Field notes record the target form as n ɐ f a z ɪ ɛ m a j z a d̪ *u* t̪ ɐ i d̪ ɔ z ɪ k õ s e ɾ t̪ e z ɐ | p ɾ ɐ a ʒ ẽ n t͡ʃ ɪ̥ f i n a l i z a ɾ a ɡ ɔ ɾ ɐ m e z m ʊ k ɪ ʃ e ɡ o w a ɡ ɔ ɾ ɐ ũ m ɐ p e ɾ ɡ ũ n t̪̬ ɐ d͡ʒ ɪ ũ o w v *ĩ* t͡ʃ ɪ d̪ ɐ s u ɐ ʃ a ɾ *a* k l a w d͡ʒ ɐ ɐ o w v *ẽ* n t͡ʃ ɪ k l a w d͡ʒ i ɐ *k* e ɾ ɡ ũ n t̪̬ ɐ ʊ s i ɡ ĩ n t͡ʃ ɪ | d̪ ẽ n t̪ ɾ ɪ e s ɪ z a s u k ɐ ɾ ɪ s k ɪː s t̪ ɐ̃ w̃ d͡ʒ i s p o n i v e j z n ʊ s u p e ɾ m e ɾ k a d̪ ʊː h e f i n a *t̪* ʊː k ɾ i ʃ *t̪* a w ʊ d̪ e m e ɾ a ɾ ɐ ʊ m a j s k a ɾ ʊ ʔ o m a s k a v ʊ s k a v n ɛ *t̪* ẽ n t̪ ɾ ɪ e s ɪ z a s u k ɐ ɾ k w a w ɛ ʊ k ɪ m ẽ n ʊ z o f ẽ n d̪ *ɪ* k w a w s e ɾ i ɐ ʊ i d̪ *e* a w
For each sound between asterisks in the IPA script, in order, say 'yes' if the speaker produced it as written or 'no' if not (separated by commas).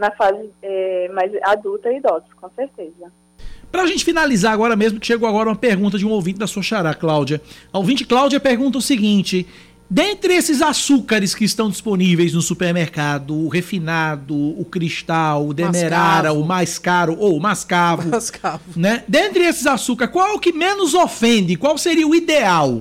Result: yes, yes, yes, no, no, no, yes, no, yes, yes